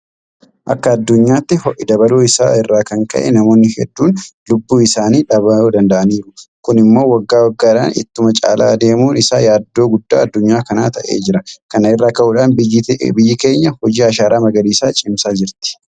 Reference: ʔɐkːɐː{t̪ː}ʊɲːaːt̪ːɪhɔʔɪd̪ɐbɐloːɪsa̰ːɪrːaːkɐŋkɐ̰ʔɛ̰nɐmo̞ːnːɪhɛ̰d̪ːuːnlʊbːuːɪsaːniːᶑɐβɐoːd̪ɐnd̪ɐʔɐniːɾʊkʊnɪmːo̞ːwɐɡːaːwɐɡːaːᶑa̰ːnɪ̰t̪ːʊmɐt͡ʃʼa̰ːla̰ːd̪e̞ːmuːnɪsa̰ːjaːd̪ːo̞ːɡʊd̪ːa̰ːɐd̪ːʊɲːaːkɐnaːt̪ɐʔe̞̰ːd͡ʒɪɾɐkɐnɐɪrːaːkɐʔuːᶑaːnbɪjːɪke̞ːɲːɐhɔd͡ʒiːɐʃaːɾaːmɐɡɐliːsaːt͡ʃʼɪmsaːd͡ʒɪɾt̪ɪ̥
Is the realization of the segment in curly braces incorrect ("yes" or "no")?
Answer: yes